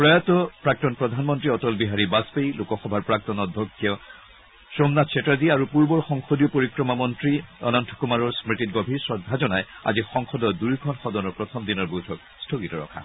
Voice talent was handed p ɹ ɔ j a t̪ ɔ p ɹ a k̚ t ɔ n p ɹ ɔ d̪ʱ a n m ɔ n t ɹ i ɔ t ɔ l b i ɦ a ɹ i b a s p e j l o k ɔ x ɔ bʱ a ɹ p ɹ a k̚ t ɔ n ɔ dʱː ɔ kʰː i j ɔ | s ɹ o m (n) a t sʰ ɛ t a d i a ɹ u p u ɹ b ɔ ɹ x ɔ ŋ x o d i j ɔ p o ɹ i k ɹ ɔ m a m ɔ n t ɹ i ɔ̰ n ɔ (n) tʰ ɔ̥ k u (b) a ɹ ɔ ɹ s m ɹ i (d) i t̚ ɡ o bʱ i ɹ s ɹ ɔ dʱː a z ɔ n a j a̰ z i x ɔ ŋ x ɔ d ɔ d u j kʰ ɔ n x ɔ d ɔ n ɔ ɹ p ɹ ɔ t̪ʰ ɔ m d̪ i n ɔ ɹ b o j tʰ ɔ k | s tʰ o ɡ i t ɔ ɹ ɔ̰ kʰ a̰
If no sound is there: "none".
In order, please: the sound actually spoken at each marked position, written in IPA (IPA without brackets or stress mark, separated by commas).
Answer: n, n, m, t